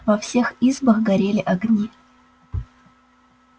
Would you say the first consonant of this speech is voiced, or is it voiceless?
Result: voiced